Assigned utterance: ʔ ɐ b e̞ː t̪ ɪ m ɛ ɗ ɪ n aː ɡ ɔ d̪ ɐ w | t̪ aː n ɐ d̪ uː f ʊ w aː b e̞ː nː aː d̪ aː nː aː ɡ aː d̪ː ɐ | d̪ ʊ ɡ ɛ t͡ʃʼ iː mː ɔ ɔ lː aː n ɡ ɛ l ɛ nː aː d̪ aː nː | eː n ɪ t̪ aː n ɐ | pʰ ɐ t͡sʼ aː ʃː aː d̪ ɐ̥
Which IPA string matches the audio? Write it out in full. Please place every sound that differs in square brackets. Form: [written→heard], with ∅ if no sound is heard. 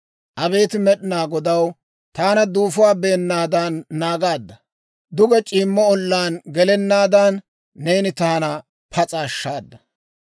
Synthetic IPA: ʔ ɐ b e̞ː t̪ ɪ m ɛ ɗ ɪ n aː ɡ ɔ d̪ ɐ w | t̪ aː n ɐ d̪ uː f ʊ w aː b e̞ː nː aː d̪ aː nː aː ɡ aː d̪ː ɐ | d̪ ʊ ɡ ɛ t͡ʃʼ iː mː ɔ ɔ lː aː n ɡ ɛ l ɛ nː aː d̪ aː nː | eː n ɪ t̪ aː n ɐ | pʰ ɐ t͡sʼ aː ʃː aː [d̪→d̪ː] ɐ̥